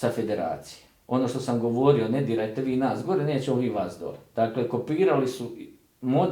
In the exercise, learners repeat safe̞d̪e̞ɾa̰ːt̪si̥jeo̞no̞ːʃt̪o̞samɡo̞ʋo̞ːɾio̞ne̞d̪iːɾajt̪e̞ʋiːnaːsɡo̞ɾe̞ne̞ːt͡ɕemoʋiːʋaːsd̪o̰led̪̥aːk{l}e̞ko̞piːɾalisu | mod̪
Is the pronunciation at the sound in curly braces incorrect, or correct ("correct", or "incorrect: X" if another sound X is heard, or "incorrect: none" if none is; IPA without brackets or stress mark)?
correct